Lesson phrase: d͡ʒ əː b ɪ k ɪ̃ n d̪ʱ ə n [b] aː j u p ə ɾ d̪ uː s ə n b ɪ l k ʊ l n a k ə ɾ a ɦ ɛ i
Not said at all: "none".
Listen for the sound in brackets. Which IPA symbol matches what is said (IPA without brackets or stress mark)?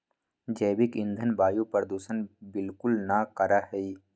b